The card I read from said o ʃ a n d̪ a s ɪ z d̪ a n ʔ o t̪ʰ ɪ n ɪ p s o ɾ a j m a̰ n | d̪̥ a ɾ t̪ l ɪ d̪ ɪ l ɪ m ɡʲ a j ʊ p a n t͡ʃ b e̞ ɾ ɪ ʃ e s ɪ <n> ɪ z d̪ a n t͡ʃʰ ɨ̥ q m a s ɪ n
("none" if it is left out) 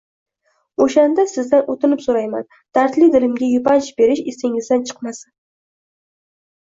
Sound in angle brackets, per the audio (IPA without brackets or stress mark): ŋ